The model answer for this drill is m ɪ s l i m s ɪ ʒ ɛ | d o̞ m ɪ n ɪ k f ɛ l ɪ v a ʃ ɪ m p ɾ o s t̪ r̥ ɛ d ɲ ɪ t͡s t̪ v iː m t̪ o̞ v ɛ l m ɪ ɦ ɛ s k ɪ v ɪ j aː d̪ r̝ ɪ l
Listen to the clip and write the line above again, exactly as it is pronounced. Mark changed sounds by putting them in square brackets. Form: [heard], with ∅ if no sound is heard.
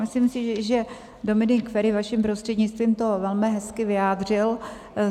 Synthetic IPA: m ɪ s l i m s ɪ ʒ ɛ | d o̞ m ɪ n ɪ k f ɛ [ɾ] ɪ v a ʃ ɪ m p ɾ o s t̪ r̥ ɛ d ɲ ɪ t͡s t̪ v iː m t̪ o̞ v ɛ l m ɪ ɦ ɛ s k ɪ v ɪ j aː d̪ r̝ ɪ l